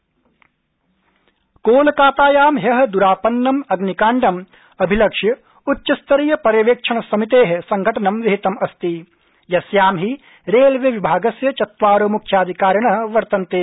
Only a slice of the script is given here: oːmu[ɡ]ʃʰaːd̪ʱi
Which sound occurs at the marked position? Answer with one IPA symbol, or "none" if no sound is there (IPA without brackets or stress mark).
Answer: k